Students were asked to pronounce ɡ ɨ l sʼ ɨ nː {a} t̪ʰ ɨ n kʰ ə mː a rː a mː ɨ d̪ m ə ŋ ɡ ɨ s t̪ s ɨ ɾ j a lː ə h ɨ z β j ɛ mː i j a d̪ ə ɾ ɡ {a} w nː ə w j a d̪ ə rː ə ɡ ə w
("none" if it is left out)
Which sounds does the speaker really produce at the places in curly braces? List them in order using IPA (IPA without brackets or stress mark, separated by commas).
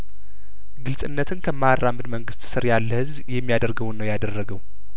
ə, ə